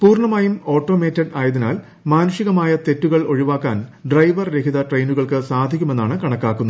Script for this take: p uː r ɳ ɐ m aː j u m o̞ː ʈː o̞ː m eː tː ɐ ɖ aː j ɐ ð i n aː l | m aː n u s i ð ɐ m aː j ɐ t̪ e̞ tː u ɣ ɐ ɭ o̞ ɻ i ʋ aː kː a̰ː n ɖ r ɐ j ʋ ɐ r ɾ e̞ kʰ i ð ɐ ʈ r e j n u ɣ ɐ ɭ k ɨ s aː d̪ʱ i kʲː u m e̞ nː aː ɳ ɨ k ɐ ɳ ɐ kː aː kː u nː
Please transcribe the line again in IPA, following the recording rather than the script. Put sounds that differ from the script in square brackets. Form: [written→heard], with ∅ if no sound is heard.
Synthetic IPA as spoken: p uː r ɳ ɐ m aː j u m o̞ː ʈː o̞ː m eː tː ɐ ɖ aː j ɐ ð i n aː l | m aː n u [s→ʂ] i [ð→ɣ] ɐ m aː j ɐ t̪ e̞ tː u ɣ ɐ ɭ o̞ ɻ i ʋ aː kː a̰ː n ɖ r ɐ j ʋ ɐ r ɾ e̞ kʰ i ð ɐ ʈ r e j n u ɣ ɐ ɭ k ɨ s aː d̪ʱ i kʲː u m e̞ nː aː ɳ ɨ k ɐ ɳ ɐ kː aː kː u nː